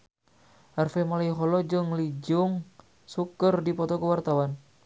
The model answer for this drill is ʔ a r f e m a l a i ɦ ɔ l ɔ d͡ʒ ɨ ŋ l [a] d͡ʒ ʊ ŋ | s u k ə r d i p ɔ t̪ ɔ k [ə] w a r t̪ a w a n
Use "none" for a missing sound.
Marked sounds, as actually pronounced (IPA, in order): i, ə

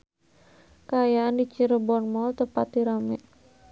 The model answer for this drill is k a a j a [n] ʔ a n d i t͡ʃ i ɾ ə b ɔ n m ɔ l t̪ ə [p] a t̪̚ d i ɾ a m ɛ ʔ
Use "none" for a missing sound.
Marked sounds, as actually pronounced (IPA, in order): none, p

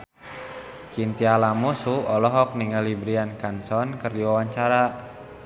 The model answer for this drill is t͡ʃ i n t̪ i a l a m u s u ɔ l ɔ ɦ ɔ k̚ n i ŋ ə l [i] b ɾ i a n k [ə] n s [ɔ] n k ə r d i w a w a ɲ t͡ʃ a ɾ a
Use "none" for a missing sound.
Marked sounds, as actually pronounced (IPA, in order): i, a, ɔ

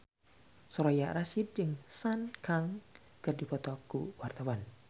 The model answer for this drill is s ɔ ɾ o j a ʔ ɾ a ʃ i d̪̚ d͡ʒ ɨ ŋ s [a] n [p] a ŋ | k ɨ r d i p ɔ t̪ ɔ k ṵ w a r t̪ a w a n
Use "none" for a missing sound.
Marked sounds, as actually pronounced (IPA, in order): a, k

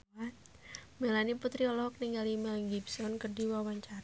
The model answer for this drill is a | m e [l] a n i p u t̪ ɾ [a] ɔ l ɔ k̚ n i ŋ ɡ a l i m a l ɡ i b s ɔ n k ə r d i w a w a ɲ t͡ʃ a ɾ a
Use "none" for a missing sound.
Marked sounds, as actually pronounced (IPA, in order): l, i

